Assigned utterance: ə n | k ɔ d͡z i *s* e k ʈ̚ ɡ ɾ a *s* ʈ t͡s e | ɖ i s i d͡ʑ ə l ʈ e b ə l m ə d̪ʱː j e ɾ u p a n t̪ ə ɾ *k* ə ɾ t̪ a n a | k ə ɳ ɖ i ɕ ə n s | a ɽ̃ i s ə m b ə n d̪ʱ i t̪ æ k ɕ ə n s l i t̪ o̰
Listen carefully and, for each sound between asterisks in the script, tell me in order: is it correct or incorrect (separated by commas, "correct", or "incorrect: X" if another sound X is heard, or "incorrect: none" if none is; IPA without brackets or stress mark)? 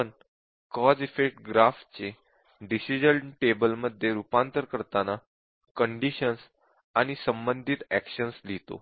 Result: incorrect: f, incorrect: f, correct